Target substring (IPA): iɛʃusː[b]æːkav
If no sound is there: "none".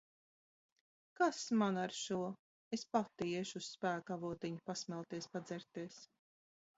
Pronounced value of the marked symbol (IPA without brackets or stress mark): p